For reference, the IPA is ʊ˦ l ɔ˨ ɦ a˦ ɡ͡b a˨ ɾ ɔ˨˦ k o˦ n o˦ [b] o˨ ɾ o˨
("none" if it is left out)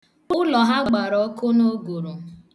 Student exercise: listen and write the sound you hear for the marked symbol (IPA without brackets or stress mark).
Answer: ɡ